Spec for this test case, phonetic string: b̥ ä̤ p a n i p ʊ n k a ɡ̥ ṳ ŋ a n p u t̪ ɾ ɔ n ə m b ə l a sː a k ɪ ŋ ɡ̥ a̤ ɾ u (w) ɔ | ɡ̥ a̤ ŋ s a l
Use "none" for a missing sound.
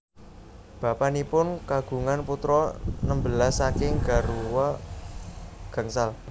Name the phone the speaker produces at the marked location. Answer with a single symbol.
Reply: w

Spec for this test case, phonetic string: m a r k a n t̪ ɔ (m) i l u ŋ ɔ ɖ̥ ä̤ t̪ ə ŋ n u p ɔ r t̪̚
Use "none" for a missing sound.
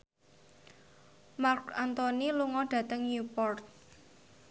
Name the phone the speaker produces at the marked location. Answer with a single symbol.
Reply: n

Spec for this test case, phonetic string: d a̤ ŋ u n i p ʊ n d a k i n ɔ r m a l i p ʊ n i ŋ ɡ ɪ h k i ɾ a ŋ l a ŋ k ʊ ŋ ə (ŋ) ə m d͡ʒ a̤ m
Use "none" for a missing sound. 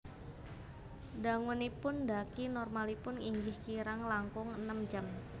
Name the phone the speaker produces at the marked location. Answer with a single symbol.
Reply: n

